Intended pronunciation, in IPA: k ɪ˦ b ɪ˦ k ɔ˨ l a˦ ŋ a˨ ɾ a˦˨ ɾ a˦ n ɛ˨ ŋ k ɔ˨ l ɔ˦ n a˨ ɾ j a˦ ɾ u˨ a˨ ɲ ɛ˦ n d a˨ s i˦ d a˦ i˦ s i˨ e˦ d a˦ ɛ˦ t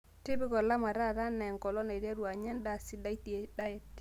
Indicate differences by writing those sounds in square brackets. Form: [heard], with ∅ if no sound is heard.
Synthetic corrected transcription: [t] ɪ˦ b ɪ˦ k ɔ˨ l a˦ [m] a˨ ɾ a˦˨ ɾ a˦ n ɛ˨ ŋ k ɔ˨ l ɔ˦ n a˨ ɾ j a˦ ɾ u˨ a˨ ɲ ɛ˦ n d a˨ s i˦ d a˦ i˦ [t] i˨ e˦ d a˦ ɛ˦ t